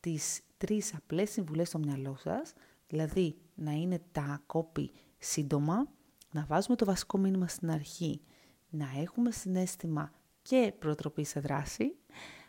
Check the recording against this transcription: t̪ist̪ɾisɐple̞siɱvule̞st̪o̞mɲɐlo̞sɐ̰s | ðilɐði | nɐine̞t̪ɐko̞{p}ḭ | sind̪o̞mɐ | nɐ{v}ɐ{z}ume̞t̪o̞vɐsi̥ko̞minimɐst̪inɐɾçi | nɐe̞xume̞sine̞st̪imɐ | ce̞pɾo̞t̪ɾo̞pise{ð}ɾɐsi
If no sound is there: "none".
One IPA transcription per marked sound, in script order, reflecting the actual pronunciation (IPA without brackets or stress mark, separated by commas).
p, v, z, ð